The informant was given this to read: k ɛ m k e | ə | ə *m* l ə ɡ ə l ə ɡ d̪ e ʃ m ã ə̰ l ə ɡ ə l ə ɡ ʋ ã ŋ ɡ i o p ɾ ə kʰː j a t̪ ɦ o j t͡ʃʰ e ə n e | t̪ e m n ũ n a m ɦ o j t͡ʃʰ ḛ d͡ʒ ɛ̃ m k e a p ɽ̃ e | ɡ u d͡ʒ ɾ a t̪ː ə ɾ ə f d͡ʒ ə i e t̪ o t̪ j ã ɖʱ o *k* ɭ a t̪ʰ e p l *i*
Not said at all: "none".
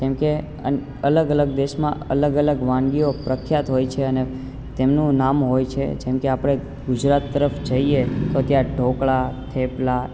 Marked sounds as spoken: none, k, a

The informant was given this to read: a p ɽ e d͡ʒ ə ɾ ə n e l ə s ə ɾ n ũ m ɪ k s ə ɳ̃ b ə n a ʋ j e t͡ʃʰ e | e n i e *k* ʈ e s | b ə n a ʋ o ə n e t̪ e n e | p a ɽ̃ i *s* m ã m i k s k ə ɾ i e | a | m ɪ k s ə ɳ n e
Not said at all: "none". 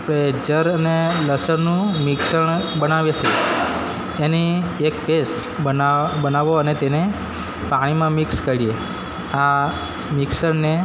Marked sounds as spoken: k, none

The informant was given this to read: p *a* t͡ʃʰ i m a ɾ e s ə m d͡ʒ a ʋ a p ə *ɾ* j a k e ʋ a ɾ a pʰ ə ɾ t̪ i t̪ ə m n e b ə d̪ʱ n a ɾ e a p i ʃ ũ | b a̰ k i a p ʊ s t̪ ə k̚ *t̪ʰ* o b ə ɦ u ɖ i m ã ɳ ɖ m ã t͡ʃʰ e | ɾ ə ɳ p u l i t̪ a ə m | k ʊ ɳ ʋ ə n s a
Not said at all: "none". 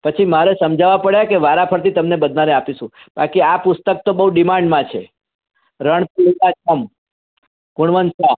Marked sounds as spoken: ə, ɽ, t̪

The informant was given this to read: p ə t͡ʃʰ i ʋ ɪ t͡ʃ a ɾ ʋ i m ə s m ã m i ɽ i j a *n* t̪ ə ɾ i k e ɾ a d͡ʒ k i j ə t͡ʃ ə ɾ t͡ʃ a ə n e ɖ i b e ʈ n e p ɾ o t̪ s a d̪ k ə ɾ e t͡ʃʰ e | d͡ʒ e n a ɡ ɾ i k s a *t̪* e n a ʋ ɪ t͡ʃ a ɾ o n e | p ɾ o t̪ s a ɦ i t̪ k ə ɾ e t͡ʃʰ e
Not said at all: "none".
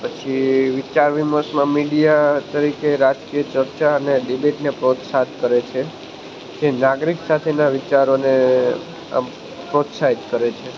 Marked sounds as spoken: none, t̪ʰ

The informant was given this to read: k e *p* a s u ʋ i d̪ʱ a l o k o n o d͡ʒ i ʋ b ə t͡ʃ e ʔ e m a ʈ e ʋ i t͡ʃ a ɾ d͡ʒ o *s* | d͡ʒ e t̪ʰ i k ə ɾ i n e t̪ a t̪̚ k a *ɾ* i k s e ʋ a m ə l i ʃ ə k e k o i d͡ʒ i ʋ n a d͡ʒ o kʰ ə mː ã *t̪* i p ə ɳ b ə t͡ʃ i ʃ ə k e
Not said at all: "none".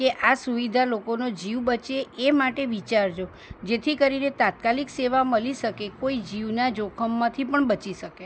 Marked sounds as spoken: ʔ, none, l, t̪ʰ

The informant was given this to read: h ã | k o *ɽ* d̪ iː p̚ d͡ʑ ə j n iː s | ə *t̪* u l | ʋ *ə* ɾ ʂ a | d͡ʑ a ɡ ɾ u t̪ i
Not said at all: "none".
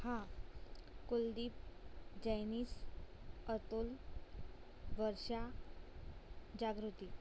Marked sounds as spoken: l, t̪, ə

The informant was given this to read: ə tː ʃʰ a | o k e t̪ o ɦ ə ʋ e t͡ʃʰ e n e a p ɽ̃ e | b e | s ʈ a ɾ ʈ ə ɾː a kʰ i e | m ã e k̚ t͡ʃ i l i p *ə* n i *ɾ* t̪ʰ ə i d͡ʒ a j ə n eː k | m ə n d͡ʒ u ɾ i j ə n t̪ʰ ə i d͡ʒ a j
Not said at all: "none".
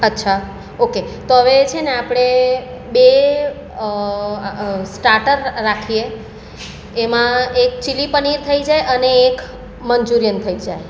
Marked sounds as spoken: ə, ɾ

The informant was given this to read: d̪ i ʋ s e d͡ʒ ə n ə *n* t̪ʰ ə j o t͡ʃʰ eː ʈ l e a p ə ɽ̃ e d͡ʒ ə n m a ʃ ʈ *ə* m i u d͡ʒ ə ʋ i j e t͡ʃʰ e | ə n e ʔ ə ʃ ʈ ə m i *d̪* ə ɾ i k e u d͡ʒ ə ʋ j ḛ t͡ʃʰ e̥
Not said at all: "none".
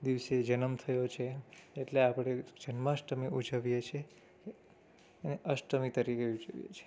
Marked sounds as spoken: m, ə, t̪

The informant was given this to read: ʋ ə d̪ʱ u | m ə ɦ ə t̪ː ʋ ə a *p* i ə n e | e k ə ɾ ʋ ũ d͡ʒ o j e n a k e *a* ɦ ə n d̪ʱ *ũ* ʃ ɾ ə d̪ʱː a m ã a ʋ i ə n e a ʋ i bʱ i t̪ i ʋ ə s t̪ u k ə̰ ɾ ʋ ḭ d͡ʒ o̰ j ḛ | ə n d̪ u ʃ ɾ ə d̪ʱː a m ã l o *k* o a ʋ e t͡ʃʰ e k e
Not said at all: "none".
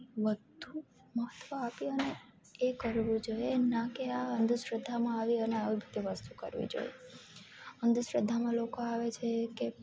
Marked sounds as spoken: p, a, u, k

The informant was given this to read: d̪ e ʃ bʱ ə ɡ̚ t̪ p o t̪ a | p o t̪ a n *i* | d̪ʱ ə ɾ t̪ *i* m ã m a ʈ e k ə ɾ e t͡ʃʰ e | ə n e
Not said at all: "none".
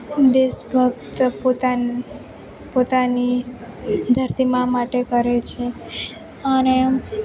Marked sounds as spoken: i, i

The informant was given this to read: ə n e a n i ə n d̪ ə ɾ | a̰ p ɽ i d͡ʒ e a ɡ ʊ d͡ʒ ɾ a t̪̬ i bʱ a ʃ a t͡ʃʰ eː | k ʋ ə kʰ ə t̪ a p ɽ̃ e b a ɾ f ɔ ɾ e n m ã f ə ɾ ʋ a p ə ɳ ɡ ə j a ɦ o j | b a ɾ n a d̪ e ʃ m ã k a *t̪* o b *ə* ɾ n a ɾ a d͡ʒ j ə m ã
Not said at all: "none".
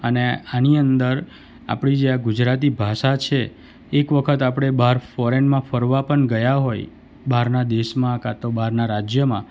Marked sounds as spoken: t̪, a

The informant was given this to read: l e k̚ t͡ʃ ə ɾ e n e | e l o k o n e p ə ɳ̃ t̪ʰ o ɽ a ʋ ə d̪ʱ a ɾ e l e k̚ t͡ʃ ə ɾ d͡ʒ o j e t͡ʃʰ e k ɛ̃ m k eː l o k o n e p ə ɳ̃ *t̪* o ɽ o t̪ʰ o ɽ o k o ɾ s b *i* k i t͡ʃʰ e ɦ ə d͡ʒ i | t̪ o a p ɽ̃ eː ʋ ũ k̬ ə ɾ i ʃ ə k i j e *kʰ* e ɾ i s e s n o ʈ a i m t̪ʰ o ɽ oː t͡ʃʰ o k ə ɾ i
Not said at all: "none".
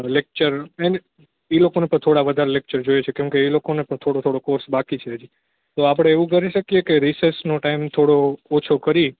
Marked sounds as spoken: t̪ʰ, a, k

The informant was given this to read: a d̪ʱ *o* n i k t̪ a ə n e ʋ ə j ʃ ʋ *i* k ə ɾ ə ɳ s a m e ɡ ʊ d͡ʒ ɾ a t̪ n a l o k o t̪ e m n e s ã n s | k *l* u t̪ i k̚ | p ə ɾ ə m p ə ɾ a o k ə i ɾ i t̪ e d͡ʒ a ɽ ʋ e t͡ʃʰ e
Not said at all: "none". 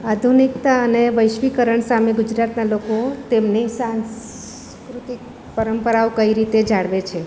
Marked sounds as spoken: u, i, ɾ

